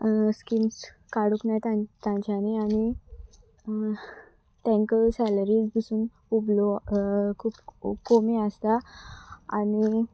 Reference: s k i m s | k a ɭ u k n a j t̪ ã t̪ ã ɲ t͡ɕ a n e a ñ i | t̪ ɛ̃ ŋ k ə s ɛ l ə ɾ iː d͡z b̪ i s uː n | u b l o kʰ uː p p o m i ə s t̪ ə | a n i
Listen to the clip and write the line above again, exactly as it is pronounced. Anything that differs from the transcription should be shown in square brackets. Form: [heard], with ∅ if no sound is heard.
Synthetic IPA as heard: s k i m s | k a [ɽ] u k n a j t̪ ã t̪ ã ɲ t͡ɕ a n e a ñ i | t̪ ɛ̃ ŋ k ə s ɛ l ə ɾ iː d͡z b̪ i s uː n | u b l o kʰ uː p [k] o m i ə s t̪ [a] | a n i